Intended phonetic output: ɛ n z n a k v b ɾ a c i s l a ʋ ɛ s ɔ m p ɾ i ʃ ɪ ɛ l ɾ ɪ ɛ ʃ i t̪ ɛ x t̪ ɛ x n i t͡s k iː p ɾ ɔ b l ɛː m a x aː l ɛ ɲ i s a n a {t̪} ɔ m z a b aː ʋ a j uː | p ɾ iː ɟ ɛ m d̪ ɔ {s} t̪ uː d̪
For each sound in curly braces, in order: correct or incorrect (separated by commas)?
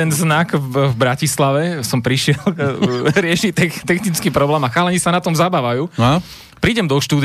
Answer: correct, incorrect